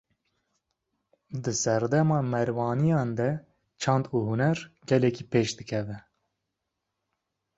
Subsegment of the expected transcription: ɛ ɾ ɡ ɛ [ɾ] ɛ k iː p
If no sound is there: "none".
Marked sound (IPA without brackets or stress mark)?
l